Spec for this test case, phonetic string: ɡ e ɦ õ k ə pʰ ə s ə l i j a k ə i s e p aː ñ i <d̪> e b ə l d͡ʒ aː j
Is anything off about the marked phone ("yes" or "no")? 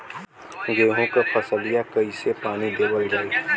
no